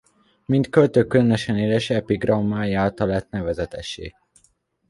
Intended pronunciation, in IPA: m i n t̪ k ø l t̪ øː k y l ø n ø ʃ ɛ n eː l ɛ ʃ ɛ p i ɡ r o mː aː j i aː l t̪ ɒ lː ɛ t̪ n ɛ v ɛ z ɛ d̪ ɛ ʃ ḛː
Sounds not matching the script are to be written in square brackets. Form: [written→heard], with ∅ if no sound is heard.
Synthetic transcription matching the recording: m i n t̪ k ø l t̪ øː k y l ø n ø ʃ ɛ n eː l ɛ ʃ ɛ p i ɡ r [o→ɒ] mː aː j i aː l t̪ ɒ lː ɛ t̪ n ɛ v ɛ z ɛ [d̪→t̪] ɛ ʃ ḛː